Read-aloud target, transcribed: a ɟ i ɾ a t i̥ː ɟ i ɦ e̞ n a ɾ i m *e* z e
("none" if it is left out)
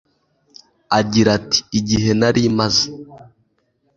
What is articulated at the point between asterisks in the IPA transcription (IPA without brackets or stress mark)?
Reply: a